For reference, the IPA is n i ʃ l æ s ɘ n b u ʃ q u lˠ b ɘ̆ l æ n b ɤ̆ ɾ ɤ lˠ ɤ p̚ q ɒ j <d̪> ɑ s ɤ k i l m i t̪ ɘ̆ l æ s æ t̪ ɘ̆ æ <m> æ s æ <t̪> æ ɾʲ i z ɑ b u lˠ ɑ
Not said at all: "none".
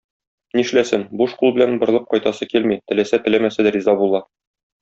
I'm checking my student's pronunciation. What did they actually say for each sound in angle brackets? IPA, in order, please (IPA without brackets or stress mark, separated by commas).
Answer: t̪, m, d̪